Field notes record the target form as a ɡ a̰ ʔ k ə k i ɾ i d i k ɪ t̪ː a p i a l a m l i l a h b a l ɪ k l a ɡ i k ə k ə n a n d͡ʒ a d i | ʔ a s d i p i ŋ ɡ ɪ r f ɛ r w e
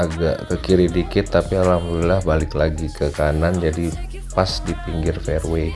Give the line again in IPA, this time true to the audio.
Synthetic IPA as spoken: a ɡ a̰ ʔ k ə k i ɾ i d i k ɪ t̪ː a p i a l a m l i l a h b a l ɪ k l a ɡ i k ə k a n a n d͡ʒ a d i | p a s d i p i ŋ ɡ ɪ r f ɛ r w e